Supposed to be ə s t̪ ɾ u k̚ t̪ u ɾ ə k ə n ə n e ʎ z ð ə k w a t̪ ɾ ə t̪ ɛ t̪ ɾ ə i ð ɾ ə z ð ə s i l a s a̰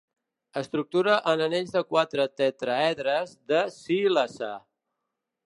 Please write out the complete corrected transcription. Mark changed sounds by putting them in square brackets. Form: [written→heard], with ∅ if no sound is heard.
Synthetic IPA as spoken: ə s t̪ ɾ u k̚ t̪ u ɾ ə [k→ʔ] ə n ə n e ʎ z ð ə k w a t̪ ɾ ə t̪ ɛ t̪ ɾ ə [i→ɛ] ð ɾ ə z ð ə s i l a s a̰